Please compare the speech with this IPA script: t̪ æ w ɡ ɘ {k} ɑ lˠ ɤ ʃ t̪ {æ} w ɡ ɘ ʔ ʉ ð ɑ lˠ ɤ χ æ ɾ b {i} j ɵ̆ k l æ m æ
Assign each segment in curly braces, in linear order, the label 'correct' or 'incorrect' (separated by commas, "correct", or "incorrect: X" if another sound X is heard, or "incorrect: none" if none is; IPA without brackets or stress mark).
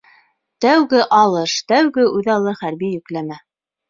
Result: incorrect: ʔ, correct, correct